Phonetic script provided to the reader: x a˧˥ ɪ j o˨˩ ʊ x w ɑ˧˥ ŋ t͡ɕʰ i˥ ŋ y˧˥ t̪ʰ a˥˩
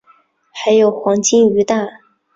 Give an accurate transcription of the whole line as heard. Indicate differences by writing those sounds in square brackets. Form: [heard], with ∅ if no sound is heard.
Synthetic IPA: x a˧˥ ɪ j o˨˩ ʊ x w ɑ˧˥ ŋ [t͡ɕ] i˥ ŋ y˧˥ [t̪] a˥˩